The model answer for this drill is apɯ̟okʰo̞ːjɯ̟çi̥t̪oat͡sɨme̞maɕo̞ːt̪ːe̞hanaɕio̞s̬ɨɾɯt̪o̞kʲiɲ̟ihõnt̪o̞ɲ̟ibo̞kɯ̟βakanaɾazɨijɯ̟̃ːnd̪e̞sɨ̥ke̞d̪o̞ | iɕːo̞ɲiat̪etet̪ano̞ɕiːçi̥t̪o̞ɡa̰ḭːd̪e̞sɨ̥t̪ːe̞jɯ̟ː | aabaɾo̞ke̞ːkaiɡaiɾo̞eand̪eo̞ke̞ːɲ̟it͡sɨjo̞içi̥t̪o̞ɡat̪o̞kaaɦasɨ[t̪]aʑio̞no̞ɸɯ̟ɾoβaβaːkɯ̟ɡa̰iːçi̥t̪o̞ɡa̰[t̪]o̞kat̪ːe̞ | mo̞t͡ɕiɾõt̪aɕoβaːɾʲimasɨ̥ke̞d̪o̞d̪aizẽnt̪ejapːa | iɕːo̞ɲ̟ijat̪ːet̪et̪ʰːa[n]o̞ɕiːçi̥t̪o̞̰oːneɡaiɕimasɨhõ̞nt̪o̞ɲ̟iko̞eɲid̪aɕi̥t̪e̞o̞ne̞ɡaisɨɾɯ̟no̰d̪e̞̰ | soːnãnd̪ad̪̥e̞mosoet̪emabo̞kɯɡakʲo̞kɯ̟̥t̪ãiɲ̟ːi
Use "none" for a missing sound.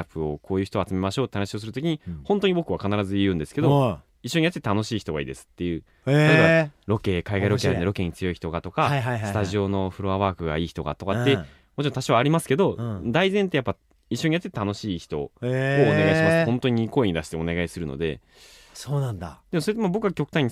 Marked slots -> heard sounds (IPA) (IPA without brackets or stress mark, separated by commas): t̪, t̪, n